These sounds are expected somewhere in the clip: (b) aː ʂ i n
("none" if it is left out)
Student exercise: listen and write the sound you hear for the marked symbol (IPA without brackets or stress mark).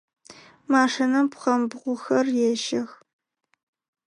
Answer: m